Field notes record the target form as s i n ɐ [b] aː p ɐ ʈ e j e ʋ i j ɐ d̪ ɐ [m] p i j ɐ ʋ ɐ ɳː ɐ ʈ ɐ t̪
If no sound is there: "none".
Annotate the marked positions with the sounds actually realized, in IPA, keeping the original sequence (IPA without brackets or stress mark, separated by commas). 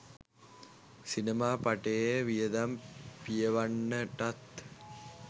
m, m